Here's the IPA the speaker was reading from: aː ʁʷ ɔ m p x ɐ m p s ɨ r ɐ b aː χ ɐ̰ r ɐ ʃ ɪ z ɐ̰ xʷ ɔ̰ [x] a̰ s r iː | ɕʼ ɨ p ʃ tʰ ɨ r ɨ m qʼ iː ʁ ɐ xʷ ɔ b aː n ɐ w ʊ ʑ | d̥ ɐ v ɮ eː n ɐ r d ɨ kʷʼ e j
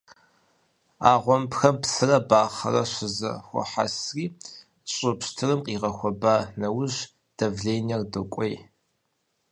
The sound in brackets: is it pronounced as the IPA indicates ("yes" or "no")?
no